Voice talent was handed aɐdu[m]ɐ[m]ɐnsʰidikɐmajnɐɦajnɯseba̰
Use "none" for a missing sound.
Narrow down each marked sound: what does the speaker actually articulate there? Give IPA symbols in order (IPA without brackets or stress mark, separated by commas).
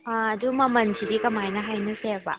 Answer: m, m